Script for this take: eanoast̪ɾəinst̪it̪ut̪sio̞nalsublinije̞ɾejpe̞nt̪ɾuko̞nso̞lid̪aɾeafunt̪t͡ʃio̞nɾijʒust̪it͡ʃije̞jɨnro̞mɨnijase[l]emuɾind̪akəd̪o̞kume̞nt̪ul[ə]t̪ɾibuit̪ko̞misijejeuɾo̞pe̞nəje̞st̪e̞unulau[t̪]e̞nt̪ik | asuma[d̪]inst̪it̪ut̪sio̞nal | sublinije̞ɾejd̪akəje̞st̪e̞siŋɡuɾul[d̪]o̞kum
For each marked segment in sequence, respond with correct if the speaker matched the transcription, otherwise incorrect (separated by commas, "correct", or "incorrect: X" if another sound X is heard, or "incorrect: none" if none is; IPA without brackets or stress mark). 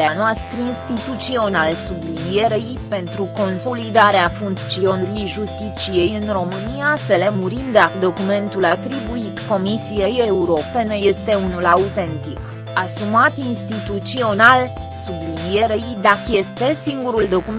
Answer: correct, incorrect: a, correct, incorrect: t̪, correct